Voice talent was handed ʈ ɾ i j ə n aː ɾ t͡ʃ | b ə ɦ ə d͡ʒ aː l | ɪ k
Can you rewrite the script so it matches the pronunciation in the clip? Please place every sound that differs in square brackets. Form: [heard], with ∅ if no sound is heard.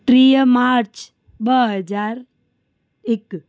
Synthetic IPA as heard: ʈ ɾ i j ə [m] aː ɾ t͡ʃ | b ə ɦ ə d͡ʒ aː [ɾ] | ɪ k